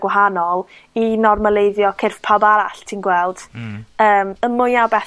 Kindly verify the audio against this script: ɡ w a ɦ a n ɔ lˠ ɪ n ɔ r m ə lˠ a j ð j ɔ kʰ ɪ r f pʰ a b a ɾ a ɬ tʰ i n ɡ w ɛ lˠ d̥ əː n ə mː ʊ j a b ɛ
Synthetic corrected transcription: ɡ w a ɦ a n ɔ lˠ i n ɔ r m ə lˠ e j ð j ɔ kʰ ɪ r f pʰ a b a ɾ a ɬ tʰ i n ɡ w ɛ lˠ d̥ əː m ə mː ʊ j a b ɛ

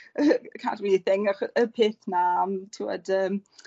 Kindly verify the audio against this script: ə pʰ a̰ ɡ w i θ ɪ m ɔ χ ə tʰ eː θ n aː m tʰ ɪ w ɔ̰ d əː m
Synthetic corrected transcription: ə kʰ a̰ d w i θ ɪ ŋ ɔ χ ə pʰ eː θ n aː m tʰ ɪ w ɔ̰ d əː m

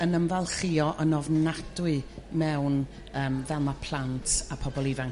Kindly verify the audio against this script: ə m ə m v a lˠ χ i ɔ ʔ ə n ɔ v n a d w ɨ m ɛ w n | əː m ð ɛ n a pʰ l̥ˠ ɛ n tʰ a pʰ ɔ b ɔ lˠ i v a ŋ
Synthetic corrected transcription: ə n ə m v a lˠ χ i ɔ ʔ ə n ɔ v n a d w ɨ m ɛ w n | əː m v ɛ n a pʰ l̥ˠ a n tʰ a pʰ ɔ b ɔ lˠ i v a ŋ

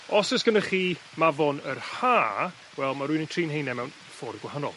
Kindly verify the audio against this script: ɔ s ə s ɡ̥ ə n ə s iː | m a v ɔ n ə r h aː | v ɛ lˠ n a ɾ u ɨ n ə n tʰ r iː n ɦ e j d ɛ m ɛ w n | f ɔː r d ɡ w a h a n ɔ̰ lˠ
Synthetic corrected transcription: ɔ s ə s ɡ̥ ə n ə χ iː | m a v ɔ n ə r h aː | w ɛ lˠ m a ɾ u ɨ n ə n tʰ r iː n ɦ e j n ɛ m ɛ w n | f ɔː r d ɡ w a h a n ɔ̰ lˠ

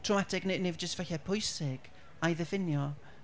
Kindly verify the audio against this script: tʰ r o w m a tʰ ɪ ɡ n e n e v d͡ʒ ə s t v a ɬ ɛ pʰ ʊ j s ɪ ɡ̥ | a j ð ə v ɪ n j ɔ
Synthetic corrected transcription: tʰ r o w m a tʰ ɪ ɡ n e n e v d͡ʒ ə s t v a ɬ ɛ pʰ ʊ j s ɪ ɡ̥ | a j ð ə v ɪ n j ɔ

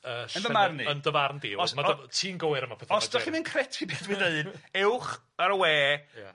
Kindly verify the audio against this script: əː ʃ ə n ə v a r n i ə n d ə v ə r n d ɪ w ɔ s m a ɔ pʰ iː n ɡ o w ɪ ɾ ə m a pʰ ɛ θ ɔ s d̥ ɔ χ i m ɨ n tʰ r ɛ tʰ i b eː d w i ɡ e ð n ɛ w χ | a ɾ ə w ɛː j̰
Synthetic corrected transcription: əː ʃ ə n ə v a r n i ə n d ə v a r n d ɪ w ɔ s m a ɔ tʰ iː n ɡ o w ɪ ɾ ə m a pʰ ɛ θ ɔ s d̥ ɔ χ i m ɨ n kʰ r ɛ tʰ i b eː d w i d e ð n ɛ w χ | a ɾ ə w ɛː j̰

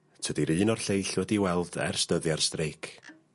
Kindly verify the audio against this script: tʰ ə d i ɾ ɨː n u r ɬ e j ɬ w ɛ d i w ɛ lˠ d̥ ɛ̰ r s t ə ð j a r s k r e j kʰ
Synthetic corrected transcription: tʰ ə d i ɾ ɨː n ɔ r ɬ e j ɬ w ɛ d i w ɛ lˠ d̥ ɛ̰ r s t ə ð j a r s t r e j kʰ

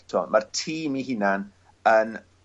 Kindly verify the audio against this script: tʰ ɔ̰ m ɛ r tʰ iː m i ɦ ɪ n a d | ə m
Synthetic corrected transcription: tʰ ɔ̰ m a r tʰ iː m i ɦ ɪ n a n | ə n

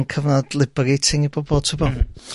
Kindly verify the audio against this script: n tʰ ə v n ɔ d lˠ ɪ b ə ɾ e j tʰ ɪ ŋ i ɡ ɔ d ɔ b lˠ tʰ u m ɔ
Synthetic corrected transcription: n kʰ ə v n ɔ d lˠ ɪ b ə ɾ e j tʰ ɪ ŋ i b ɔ b ɔ lˠ tʰ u b ɔ

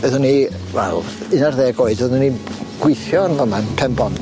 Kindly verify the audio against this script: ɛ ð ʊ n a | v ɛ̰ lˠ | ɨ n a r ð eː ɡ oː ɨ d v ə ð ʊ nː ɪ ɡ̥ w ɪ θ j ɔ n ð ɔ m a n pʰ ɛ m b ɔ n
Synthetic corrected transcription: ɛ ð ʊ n i | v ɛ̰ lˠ | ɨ n a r ð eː ɡ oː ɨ d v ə ð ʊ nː i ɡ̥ w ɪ θ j ɔ n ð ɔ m a n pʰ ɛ m b ɔ n

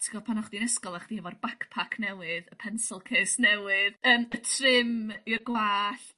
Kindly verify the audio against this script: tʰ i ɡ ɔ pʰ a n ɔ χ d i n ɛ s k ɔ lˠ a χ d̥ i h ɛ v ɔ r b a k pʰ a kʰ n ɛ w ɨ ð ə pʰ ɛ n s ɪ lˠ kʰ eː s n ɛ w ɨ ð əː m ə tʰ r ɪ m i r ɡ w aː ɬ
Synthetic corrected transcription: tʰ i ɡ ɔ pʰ a n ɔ χ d i n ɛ s k ɔ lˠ a χ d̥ i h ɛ v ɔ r b a k pʰ a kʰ n ɛ w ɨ ð ə pʰ ɛ n s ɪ lˠ kʰ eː s n ɛ w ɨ ð əː m ə tʰ r ɪ m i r ɡ w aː ɬ

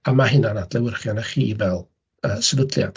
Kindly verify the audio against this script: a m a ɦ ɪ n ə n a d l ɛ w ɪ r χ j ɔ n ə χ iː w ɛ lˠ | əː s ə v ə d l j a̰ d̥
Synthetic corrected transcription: a m a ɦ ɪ n a n a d l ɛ w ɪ r χ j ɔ n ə χ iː v ɛ lˠ | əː s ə v ə d l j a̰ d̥

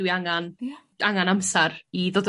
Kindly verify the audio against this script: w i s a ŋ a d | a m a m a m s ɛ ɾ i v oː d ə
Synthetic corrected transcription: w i a ŋ a n | a ŋ a n a m s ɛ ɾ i ð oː d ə

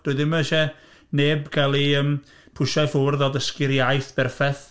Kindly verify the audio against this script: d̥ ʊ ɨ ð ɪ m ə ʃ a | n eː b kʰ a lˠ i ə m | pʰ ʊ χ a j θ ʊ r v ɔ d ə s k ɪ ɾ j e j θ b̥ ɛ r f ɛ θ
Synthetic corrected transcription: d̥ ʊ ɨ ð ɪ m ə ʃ ɛ | n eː b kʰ a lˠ i ə m | pʰ ʊ ʃ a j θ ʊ r ð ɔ d ə s k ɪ ɾ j a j θ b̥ ɛ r f ɛ θ

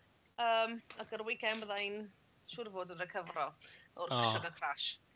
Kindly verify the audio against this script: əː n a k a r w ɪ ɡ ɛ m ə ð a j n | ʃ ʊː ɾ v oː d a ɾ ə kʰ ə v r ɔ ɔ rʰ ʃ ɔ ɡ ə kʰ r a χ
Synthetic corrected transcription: əː m a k ə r w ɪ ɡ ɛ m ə ð a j n | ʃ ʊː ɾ v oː d ə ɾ ə kʰ ə v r ɔ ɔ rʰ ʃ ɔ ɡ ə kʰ r a ʃ

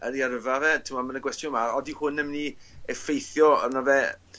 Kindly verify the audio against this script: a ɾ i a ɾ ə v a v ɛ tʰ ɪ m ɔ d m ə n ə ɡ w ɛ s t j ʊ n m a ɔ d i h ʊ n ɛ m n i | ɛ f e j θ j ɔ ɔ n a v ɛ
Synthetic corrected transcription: ə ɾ i a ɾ ə v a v ɛ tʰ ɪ m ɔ m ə n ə ɡ w ɛ s t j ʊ n m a ɔ d i h ʊ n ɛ m n i | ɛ f e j θ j ɔ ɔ n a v ɛ

